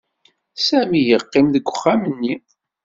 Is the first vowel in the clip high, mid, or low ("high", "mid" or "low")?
low